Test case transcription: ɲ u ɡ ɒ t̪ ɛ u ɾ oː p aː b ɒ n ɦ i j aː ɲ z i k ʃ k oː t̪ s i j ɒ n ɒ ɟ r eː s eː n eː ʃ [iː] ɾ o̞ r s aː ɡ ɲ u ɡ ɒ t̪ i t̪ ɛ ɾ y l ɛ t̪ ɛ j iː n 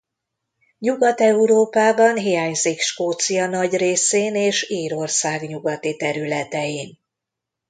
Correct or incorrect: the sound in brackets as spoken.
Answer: correct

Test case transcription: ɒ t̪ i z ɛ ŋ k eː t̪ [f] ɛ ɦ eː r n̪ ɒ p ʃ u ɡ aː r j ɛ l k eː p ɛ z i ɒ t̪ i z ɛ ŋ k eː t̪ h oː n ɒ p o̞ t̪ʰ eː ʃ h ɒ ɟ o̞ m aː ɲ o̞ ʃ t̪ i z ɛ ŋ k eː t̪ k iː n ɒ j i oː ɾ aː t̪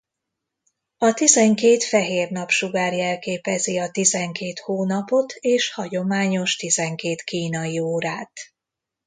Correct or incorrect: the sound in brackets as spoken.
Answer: correct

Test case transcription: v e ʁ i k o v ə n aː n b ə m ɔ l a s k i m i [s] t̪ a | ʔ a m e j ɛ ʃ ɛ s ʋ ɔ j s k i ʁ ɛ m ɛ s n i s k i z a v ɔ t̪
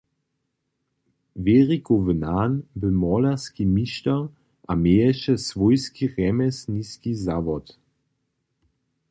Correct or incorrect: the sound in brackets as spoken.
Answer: incorrect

